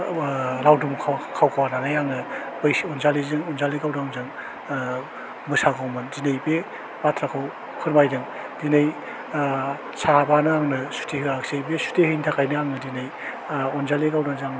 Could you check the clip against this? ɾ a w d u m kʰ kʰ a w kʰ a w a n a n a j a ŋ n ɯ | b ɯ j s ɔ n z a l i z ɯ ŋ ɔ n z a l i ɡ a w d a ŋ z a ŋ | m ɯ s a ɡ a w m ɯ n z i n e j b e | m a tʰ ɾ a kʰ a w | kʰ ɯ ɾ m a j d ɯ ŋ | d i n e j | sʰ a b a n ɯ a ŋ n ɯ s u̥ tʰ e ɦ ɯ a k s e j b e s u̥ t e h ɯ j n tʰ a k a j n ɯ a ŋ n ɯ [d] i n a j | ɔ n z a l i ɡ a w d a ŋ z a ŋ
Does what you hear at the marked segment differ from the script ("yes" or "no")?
no